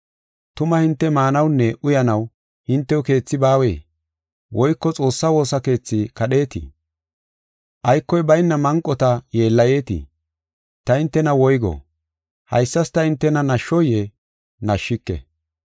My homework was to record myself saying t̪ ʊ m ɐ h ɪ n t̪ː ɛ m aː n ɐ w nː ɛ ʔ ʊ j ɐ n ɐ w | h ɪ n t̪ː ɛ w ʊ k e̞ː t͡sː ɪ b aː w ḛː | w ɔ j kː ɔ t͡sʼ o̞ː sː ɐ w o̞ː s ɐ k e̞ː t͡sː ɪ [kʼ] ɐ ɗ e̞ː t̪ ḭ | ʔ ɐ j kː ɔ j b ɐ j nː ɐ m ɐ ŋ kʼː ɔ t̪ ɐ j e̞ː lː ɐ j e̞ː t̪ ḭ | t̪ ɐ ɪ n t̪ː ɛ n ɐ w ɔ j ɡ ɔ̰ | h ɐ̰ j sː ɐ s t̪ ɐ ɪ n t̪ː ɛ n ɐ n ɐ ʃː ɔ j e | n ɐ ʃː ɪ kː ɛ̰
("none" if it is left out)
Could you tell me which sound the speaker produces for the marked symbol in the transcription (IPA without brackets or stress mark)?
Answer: k